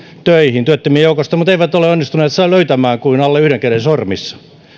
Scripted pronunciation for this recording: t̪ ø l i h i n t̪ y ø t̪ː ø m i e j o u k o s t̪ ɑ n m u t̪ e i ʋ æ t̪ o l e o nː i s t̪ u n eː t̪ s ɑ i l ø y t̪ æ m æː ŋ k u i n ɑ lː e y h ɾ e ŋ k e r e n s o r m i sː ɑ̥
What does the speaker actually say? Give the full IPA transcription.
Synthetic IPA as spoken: t̪ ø i h i n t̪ y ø t̪ː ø m i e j o u k o s t̪ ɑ m u t̪ e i ʋ æ t̪ o l e o nː i s t̪ u n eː t̪ s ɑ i l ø y t̪ æ m æː ŋ k u i n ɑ lː e y h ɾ e ŋ k e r e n s o r m i sː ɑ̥